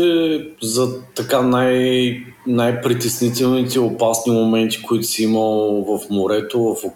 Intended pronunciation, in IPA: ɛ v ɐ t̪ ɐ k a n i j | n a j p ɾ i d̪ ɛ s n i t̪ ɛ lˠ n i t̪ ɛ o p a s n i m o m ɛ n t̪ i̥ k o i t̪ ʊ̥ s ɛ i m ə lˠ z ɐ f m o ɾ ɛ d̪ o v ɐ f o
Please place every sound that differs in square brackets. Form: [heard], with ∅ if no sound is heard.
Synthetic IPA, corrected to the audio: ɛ [z] ɐ t̪ ɐ k a n [a] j | n a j p ɾ i [t̪] ɛ s n i t̪ ɛ lˠ n i t̪ ɛ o p a s n i m o m ɛ n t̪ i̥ k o i t̪ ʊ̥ s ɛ i m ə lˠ [v] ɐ f m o ɾ ɛ [t̪] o v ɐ f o